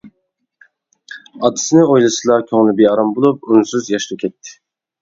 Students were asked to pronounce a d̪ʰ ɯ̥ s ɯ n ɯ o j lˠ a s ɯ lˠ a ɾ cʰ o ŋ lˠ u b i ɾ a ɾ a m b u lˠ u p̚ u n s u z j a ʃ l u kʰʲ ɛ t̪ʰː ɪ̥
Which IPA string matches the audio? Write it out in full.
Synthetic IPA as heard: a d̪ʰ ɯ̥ s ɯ n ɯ o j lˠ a s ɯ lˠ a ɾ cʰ o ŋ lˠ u b i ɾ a ɾ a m b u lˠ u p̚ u n s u z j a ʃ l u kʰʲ ɛ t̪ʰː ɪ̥